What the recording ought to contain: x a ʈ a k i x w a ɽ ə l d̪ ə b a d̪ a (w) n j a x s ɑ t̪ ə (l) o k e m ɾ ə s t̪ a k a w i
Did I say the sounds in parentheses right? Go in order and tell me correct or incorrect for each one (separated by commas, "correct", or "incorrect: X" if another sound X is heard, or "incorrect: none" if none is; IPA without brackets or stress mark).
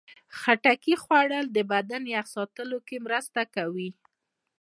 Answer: incorrect: none, correct